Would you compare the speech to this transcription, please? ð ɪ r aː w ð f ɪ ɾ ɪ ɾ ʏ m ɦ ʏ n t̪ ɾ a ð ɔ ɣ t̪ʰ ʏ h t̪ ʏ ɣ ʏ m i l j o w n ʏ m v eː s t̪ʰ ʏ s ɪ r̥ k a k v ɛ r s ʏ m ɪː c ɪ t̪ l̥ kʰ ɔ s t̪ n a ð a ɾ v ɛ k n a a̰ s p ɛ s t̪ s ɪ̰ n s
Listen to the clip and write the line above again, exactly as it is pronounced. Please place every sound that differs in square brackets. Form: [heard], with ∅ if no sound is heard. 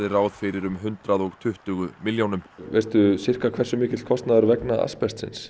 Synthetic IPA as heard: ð ɪ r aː w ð f ɪ ɾ ɪ ɾ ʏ m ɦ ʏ n t̪ ɾ a ð ɔ ɣ t̪ʰ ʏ h t̪ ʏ ɣ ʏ m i l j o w n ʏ m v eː s [t̪] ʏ s ɪ r̥ k a [kʰ] v ɛ r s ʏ m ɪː c ɪ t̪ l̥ kʰ ɔ s t̪ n a ð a ɾ v ɛ k n a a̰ s p ɛ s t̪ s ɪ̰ n s